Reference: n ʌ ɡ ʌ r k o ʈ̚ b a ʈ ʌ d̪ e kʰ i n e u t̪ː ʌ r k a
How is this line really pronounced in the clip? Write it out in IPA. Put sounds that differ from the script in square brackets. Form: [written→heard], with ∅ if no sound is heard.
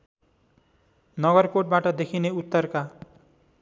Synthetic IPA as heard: n ʌ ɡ ʌ r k o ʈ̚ b a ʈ ʌ d̪ e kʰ i n e u t̪ː ʌ r k a